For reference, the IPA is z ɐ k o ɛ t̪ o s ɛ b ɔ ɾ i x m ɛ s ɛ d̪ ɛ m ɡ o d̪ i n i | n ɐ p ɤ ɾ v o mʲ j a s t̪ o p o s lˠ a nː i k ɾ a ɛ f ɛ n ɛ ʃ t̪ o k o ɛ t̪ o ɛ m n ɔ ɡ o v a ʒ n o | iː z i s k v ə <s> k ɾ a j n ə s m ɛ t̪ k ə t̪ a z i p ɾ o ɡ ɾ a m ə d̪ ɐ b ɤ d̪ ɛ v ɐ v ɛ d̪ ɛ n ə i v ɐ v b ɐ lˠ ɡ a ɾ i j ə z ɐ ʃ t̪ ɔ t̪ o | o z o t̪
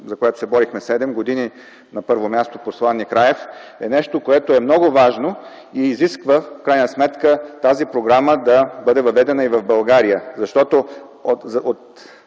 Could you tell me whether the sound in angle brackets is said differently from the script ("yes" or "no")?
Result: yes